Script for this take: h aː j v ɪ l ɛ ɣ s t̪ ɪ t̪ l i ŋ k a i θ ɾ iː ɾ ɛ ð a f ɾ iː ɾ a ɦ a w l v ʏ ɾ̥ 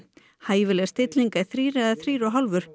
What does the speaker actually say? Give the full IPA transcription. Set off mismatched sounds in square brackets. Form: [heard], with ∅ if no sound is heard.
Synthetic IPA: h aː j v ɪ l ɛ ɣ s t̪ ɪ t̪ l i ŋ k a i θ ɾ iː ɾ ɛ ð a [θ] ɾ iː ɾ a ɦ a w l v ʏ ɾ̥

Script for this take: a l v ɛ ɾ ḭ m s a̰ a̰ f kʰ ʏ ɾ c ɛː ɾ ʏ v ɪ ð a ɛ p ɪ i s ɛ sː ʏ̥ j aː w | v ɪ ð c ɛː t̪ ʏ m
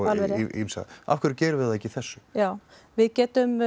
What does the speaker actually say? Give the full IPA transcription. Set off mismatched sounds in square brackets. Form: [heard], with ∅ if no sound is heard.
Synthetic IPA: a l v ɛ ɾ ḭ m s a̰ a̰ f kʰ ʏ ɾ c ɛː ɾ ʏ v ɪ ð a ɛ [c] ɪ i [θ] ɛ sː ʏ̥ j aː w | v ɪ ð c ɛː t̪ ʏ m

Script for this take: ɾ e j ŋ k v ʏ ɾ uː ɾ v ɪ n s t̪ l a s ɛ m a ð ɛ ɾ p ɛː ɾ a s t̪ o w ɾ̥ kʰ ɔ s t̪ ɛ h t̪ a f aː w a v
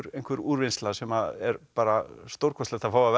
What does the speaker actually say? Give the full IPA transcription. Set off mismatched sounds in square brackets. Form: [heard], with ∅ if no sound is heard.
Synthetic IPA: ɾ e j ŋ k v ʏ ɾ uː ɾ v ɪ n s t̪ l a s ɛ m a ð ɛ ɾ p [aː] ɾ a s t̪ o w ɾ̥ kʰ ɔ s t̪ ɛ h t̪ a f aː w a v

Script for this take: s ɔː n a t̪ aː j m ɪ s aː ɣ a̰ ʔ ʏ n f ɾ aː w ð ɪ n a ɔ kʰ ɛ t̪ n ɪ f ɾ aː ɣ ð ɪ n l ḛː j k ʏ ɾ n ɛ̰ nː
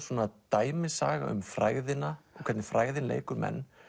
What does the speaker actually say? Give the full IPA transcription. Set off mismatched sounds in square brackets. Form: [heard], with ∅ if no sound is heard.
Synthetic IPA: s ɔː n a t̪ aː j m ɪ s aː ɣ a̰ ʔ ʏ [m] f ɾ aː [ɣ] ð ɪ n a ɔ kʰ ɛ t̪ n ɪ f ɾ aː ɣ ð ɪ n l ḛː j k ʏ ɾ [m] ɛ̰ nː

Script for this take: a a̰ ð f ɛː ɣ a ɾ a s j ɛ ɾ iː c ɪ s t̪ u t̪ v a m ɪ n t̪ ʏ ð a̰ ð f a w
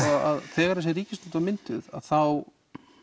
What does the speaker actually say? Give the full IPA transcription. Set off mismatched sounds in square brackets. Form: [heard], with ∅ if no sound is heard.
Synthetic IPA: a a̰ ð [θ] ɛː ɣ a ɾ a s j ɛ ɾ iː c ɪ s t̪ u t̪ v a m ɪ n t̪ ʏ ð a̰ ð [θ] a w

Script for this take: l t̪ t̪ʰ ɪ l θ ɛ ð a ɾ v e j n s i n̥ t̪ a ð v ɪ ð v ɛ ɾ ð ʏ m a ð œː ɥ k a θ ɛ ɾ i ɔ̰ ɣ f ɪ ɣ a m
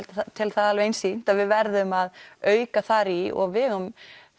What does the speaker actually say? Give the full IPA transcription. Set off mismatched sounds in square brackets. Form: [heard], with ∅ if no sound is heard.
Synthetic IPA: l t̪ t̪ʰ ɪ l θ [a] ð a [l] v e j n s i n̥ t̪ a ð v ɪ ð v ɛ ɾ ð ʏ m a ð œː ɥ k a θ [a] ɾ i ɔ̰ ɣ [v] ɪ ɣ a m

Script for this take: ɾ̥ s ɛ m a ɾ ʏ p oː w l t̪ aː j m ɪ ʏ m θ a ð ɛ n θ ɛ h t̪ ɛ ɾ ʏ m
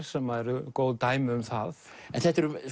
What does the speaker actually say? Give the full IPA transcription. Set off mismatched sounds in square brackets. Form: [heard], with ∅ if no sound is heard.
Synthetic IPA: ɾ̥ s ɛ m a ɾ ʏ [k] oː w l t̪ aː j m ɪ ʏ m θ a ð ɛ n θ ɛ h t̪ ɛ ɾ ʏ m

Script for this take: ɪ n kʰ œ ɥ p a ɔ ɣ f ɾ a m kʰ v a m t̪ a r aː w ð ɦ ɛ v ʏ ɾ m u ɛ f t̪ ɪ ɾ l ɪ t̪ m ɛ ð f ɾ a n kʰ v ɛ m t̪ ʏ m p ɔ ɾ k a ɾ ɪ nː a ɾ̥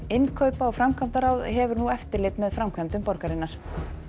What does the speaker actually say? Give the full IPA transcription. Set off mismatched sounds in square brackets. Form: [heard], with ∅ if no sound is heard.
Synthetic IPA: ɪ n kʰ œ ɥ p a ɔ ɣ f ɾ a m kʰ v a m t̪ a [ɾ] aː w ð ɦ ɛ v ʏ ɾ [n] u ɛ f t̪ ɪ ɾ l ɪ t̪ m ɛ ð f ɾ a [m] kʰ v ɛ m t̪ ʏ m p ɔ ɾ k a ɾ ɪ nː a ɾ̥

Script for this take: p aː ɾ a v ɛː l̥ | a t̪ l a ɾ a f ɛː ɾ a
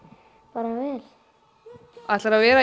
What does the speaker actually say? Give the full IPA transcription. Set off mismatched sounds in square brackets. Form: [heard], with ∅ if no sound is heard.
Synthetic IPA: p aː ɾ a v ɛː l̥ | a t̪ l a ɾ a [v] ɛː ɾ a

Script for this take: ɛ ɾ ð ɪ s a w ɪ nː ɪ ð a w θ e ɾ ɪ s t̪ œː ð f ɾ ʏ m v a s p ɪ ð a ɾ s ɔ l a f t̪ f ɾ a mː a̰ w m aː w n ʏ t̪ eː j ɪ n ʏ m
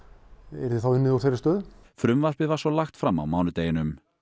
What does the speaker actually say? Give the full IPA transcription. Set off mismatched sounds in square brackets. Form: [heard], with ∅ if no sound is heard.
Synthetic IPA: ɛ ɾ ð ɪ [θ] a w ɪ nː ɪ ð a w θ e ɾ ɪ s t̪ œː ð f ɾ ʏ m v a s p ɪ [v] a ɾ s ɔ l a [x] t̪ f ɾ a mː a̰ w m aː w n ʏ t̪ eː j ɪ n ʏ m

